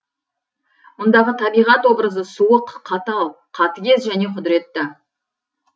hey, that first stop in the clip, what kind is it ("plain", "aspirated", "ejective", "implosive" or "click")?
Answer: plain